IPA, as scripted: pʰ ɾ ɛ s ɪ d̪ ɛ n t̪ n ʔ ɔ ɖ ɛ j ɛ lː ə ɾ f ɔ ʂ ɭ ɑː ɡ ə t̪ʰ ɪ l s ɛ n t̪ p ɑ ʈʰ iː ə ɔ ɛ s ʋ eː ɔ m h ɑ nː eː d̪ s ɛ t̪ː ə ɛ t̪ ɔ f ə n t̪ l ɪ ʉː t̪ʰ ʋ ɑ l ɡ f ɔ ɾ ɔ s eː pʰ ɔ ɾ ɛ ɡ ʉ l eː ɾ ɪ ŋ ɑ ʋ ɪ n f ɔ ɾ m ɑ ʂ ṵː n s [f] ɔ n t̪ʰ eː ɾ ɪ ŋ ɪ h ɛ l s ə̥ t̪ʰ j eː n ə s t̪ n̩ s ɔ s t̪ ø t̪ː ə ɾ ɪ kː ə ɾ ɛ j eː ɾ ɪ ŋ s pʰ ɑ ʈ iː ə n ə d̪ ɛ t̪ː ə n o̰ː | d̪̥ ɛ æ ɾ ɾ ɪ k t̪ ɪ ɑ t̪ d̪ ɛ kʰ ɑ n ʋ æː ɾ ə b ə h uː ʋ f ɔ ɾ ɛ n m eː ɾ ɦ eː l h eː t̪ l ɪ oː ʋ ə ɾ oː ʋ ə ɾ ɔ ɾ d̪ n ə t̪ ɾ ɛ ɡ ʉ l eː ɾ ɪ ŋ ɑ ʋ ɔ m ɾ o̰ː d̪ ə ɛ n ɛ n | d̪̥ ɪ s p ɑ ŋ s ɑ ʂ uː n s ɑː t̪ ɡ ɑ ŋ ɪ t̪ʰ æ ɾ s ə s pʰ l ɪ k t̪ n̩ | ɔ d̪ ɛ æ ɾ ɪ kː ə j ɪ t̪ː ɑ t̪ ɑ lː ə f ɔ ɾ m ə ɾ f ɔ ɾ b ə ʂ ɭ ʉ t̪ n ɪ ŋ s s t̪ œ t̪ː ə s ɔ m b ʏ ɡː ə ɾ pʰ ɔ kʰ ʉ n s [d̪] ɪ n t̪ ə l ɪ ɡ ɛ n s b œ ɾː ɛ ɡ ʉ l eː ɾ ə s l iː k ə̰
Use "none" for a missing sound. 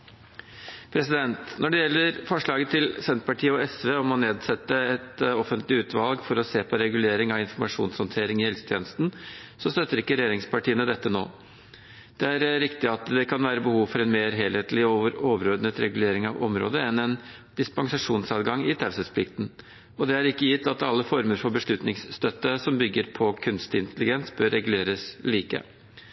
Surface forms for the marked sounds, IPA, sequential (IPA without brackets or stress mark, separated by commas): h, t̪